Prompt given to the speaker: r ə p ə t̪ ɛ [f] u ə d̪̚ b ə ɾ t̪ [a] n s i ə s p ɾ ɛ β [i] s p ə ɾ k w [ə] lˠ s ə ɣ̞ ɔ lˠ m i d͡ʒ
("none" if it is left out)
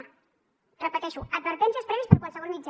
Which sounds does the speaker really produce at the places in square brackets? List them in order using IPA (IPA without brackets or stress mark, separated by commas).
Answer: ʃ, ɛ, i, a